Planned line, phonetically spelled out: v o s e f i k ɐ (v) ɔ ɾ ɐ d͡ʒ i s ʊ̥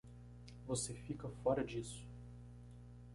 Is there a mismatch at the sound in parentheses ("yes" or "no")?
yes